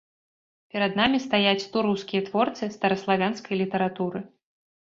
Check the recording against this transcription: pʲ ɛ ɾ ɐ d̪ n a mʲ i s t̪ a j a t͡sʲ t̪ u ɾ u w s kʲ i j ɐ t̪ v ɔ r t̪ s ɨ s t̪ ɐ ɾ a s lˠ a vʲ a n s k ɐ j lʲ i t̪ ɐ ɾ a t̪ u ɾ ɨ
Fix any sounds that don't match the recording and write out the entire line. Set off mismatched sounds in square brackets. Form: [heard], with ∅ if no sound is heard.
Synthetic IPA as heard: pʲ ɛ ɾ ɐ d̪ n a mʲ i s t̪ a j a t͡sʲ t̪ u ɾ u w s kʲ i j ɐ t̪ v ɔ r t̪ s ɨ s t̪ ɐ ɾ [ɐ] s lˠ a vʲ a n s k ɐ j lʲ i t̪ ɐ ɾ a t̪ u ɾ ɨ